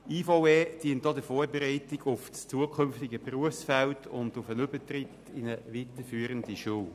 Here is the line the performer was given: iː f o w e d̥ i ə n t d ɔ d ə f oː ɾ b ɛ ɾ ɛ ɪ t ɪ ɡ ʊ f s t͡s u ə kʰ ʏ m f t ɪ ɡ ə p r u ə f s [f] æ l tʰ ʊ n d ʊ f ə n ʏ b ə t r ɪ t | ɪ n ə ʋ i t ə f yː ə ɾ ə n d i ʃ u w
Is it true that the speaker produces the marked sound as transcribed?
yes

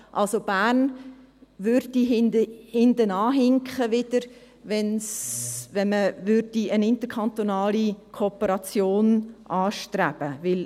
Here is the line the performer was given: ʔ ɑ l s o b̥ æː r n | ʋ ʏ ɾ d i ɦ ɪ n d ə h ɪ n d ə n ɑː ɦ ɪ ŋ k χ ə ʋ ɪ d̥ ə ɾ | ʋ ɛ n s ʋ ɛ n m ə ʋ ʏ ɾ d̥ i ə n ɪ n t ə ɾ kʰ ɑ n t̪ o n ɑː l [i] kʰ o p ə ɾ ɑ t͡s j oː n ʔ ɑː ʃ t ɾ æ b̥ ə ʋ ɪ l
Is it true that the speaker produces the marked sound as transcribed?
yes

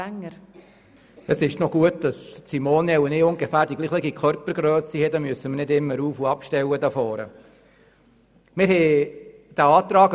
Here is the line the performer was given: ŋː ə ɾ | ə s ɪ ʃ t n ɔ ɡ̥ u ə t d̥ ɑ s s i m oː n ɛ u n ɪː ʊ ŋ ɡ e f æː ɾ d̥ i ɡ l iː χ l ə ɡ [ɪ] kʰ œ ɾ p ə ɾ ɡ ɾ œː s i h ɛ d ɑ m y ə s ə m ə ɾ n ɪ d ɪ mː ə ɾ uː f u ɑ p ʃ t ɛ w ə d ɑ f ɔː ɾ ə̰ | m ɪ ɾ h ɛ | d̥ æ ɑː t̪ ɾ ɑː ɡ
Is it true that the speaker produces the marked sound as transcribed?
no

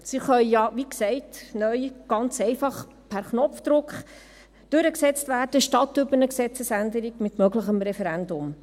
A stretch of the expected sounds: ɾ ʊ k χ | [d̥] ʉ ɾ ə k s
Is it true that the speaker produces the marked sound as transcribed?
yes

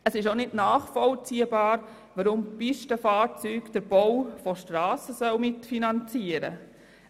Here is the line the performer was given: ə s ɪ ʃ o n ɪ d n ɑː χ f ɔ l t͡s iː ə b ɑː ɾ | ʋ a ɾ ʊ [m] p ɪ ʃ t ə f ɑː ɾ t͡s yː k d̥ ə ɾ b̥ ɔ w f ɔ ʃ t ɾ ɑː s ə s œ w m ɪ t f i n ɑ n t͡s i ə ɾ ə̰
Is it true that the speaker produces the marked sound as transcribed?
yes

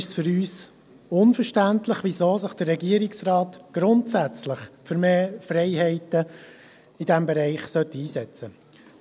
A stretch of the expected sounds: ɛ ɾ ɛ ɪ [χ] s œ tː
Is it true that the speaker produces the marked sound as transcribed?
yes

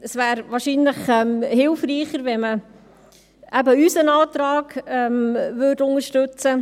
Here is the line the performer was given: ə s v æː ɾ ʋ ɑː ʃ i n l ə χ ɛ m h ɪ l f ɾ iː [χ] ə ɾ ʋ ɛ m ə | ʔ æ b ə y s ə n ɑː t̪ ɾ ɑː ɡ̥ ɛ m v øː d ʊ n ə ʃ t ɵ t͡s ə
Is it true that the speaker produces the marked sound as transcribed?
yes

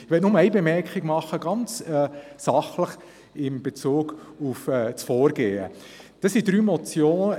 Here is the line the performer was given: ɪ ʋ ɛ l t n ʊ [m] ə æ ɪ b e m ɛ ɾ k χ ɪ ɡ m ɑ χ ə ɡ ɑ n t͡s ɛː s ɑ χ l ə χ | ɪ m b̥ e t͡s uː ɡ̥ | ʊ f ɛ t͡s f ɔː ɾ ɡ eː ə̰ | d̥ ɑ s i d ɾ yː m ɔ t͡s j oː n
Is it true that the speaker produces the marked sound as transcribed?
yes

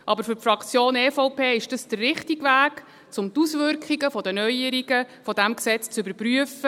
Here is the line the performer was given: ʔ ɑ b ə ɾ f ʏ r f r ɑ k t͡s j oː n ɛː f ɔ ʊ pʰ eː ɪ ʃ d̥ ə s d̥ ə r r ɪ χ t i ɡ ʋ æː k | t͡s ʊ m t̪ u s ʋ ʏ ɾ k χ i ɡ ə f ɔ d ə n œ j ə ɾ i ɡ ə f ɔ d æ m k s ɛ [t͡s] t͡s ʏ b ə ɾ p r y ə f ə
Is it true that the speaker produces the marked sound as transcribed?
yes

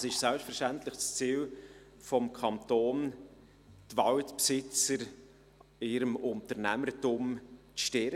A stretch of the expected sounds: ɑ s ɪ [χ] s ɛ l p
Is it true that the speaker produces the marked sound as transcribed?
no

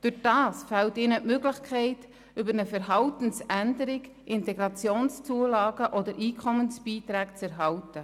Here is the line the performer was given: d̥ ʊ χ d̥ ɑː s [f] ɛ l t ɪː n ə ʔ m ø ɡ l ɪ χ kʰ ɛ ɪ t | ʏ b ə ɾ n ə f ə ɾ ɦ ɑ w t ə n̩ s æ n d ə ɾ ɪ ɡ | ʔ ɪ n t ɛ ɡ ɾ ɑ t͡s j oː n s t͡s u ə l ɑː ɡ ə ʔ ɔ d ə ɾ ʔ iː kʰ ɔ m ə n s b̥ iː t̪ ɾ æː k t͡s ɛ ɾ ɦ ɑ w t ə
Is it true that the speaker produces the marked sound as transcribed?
yes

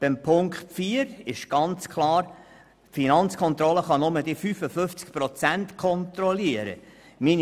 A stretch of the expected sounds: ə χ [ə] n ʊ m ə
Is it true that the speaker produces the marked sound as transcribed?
no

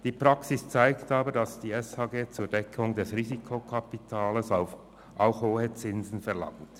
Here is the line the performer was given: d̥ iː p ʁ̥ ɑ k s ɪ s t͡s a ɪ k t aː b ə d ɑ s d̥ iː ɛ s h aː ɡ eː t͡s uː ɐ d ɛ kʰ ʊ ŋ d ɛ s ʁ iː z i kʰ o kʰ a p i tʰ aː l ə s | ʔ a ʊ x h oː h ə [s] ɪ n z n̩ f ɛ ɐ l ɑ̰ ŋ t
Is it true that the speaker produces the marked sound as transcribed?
no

